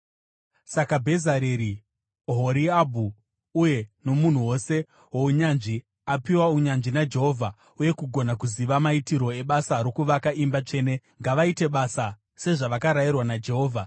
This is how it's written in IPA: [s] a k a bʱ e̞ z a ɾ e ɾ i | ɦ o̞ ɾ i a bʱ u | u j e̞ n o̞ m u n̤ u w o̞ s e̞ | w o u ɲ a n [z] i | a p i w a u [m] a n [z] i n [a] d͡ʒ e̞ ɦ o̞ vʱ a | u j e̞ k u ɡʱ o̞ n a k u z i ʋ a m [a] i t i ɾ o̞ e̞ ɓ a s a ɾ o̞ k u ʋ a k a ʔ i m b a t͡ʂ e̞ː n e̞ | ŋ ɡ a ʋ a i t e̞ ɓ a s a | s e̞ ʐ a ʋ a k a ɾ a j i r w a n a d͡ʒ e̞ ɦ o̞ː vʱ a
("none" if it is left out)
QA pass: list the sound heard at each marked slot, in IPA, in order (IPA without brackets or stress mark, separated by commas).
s, ʐ, ɲ, ʐ, a, a